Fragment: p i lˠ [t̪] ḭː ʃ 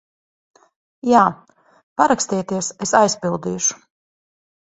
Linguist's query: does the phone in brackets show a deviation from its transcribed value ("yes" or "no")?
yes